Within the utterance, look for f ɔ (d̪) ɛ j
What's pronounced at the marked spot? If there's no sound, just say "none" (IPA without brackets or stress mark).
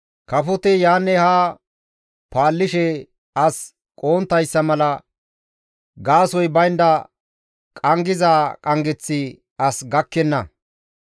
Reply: t̪